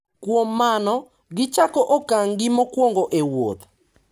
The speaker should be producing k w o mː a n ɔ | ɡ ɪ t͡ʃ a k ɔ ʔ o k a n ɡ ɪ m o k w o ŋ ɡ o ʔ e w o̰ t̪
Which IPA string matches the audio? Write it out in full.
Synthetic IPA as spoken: k w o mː a n ɔ | ɡ ɪ t͡ʃ a k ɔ ʔ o k a ŋ ɡ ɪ m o k w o ŋ ɡ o ʔ e w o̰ t̪